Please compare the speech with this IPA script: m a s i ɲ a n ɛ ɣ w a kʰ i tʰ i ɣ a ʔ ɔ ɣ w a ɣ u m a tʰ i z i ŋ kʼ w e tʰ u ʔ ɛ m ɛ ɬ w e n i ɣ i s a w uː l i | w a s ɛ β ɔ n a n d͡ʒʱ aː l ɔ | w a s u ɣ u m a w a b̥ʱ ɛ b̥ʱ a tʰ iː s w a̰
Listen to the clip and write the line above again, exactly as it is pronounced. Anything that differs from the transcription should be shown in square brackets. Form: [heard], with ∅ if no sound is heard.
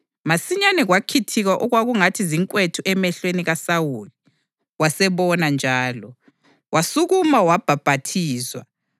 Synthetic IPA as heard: m a s i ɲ a n ɛ ɣ w a kʰ i tʰ i ɣ a ʔ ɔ ɣ w a ɣ u [ŋ] a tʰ i z i ŋ kʼ w e tʰ u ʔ ɛ m ɛ ɬ w e n i ɣ [a] s a w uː l i | w a s ɛ β ɔ n a n d͡ʒʱ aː l ɔ | w a s u ɣ u m a w a b̥ʱ [a] b̥ʱ a tʰ iː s w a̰